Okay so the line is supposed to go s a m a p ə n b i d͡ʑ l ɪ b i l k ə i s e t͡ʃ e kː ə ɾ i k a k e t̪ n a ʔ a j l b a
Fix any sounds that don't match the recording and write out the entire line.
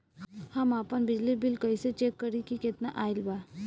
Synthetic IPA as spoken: h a m a p ə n b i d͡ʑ l i b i l k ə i s e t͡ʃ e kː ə ɾ i k i k e t̪ n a ʔ a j l b a